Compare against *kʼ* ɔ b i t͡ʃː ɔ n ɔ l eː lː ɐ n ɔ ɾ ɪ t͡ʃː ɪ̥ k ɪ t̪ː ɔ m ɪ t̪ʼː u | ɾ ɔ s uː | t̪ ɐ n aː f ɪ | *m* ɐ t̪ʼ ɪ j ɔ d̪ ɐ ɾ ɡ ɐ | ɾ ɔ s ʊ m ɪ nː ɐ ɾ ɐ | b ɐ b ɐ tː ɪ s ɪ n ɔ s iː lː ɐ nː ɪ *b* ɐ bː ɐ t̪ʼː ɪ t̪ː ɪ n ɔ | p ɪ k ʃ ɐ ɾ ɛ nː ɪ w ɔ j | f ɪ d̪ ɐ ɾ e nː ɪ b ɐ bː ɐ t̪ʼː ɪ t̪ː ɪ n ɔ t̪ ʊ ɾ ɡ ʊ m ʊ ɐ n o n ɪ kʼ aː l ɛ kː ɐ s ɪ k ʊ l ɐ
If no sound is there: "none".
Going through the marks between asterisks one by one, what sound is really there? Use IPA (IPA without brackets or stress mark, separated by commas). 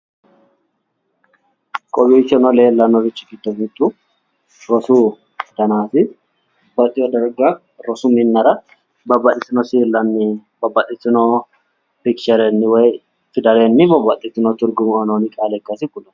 kʼ, b, b